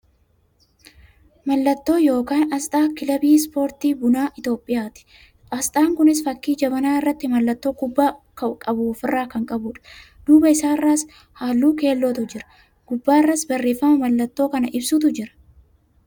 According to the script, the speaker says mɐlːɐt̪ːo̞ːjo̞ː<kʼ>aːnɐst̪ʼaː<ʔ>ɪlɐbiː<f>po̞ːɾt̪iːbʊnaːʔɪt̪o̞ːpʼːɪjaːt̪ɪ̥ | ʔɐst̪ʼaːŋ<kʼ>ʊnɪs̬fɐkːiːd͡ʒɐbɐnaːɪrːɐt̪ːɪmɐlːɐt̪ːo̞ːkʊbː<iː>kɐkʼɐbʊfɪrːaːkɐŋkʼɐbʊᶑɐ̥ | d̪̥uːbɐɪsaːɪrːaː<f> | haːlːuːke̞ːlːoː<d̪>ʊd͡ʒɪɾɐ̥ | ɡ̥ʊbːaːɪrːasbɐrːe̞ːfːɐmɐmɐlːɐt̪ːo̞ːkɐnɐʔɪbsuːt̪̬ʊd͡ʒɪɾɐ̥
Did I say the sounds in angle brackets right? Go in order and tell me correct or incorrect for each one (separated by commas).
incorrect, incorrect, incorrect, incorrect, incorrect, incorrect, incorrect